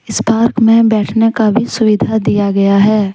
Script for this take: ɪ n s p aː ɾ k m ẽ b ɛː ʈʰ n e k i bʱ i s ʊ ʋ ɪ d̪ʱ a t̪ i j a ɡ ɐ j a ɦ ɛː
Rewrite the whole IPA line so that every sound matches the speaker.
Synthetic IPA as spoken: ɪ s p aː ɾ k m ẽ b ɛː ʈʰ n e k a bʱ i s ʊ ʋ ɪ d̪ʱ a d̪ i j a ɡ ɐ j a ɦ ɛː